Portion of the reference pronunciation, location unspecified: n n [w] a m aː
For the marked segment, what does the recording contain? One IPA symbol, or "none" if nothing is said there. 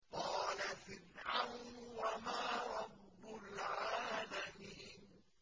w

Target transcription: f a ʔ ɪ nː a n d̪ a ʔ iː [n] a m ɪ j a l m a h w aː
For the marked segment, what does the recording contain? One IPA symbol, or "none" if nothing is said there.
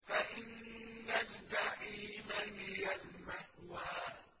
m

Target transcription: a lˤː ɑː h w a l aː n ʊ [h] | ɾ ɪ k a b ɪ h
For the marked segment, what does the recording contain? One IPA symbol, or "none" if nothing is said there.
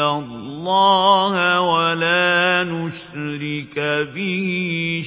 ʃ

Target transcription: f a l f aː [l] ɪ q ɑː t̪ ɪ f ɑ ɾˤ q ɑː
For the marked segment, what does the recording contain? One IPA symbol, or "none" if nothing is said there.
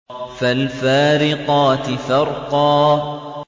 ɾ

